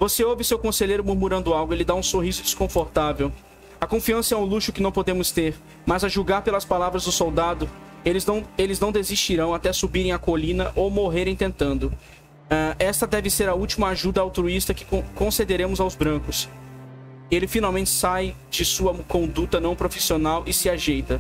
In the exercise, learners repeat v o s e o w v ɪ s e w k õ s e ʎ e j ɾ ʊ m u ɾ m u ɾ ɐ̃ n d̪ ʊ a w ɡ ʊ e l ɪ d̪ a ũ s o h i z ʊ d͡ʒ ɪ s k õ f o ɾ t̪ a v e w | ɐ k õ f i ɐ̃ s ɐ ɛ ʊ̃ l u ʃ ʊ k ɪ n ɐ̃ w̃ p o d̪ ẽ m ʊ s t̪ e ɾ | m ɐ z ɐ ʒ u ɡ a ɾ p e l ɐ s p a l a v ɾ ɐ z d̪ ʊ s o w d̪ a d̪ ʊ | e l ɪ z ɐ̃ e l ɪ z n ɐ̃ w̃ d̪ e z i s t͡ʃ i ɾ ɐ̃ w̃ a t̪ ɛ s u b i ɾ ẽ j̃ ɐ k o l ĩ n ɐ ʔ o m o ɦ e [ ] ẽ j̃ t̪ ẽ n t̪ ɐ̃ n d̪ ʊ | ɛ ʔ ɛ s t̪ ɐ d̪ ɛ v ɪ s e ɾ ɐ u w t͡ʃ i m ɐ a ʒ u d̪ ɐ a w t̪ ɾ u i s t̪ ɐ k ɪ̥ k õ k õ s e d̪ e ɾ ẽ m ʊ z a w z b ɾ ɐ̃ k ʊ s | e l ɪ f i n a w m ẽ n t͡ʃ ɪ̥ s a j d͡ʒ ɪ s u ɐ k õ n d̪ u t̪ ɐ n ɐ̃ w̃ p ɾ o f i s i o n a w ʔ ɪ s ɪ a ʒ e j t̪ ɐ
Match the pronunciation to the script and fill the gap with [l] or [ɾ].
ɾ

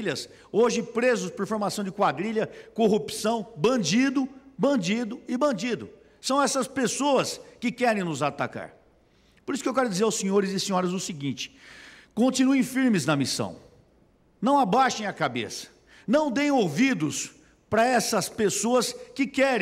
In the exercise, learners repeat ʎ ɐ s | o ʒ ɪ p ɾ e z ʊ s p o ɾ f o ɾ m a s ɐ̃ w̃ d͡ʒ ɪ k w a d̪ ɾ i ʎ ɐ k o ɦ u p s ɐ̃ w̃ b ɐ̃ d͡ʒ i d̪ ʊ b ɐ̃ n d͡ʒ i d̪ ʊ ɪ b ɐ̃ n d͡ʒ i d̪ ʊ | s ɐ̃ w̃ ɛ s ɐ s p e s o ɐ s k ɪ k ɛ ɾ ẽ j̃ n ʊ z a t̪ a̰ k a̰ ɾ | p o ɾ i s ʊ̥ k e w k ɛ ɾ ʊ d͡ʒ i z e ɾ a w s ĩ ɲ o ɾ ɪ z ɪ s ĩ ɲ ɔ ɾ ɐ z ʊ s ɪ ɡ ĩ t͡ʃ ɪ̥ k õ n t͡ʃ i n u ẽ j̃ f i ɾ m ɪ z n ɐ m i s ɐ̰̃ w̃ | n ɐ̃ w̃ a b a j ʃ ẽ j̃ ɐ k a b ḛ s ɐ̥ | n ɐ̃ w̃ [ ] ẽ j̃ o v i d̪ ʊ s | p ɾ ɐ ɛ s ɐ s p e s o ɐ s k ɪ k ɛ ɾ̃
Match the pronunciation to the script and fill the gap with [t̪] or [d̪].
d̪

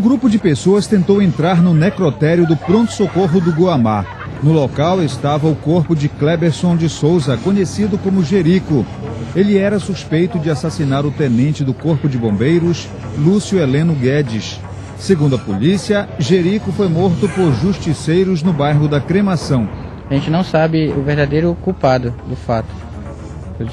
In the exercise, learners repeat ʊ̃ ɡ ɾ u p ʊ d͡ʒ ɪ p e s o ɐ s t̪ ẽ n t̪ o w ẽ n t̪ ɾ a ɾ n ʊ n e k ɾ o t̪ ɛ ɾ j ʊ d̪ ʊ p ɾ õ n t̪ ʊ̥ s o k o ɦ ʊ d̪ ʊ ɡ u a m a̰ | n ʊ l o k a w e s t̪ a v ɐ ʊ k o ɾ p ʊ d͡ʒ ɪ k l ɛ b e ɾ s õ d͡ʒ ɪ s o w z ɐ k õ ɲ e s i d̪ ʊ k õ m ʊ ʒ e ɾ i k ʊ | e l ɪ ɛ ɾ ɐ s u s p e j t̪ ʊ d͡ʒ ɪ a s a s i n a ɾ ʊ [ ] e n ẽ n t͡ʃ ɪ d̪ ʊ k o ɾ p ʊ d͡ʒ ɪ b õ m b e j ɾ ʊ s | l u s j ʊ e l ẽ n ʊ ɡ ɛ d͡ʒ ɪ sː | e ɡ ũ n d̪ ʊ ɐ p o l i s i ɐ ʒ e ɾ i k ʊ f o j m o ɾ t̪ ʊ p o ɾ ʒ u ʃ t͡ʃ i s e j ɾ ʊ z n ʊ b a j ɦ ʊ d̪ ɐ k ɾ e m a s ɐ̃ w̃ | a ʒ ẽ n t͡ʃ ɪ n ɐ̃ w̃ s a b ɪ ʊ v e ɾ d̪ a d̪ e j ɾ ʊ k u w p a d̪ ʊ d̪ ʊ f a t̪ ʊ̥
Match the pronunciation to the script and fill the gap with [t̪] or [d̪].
t̪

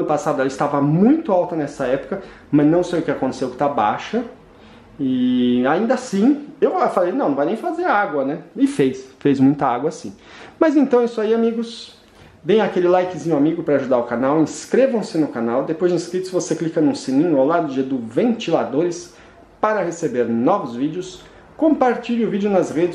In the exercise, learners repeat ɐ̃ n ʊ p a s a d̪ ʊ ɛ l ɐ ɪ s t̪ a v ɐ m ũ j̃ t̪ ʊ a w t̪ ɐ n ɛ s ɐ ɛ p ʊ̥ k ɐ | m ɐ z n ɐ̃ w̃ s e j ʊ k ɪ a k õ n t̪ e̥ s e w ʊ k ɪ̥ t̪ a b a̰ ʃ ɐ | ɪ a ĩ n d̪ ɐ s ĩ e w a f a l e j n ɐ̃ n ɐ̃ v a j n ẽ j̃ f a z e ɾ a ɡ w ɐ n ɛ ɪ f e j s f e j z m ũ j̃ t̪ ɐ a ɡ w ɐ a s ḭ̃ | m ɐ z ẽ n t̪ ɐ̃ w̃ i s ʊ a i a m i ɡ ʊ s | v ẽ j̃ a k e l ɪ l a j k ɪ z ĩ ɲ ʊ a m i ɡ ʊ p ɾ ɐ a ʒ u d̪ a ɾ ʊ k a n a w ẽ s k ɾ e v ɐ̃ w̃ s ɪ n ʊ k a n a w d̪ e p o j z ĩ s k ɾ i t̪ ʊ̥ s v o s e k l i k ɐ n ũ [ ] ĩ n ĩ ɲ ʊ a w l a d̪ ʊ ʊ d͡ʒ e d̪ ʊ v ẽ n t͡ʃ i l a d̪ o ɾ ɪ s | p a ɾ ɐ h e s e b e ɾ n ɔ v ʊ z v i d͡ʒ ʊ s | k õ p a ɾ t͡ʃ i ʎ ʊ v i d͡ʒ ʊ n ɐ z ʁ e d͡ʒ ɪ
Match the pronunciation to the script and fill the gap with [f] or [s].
s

